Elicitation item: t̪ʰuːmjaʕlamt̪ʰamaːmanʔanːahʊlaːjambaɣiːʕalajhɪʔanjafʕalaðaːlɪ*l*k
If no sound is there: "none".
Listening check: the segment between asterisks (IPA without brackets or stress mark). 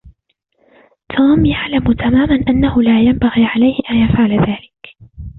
none